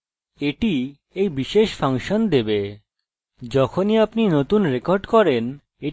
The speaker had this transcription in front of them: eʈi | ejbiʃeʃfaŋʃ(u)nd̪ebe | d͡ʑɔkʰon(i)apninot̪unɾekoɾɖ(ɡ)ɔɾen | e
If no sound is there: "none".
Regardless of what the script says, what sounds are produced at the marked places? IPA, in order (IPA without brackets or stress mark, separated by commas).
o, i, k